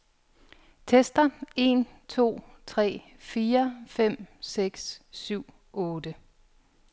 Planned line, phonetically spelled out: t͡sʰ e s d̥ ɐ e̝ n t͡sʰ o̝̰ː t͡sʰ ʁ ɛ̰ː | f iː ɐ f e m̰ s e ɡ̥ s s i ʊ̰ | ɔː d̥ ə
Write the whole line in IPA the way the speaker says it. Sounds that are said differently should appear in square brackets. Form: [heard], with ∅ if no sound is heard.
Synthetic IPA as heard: t͡sʰ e s d̥ ɐ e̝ n t͡sʰ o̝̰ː t͡sʰ ʁ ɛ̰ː | f iː ɐ f e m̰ s e ɡ̥ s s [y] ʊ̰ | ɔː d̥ ə